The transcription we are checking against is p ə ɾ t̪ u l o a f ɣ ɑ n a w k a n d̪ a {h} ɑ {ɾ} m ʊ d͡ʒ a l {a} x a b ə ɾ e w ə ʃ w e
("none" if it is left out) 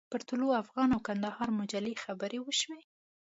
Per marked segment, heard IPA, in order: h, ɾ, e

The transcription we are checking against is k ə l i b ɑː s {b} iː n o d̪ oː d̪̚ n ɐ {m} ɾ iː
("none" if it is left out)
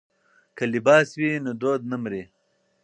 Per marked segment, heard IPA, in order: w, m

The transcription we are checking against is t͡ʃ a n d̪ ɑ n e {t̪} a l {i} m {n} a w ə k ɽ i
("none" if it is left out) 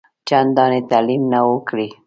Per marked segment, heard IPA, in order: t̪, i, n

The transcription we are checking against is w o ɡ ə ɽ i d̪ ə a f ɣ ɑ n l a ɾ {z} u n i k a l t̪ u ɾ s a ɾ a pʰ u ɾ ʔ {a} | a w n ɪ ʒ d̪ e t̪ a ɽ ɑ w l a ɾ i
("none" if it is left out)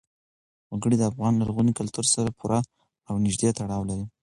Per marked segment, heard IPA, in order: ɣ, a

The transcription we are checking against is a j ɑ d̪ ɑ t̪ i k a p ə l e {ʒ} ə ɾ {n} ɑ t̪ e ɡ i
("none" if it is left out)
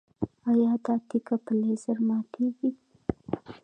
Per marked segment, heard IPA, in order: z, m

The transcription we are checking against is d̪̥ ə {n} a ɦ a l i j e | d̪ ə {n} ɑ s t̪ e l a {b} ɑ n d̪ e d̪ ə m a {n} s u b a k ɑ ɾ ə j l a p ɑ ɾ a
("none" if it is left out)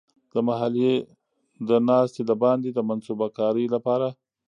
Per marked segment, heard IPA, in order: m, n, b, n

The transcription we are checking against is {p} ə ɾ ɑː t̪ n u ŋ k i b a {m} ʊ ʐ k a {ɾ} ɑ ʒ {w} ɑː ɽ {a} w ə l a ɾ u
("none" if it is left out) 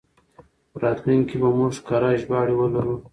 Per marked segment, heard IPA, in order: p, m, ɾ, b, i

